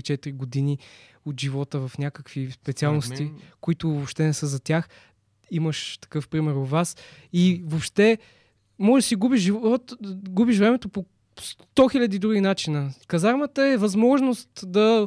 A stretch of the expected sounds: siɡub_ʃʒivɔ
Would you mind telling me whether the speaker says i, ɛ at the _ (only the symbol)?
i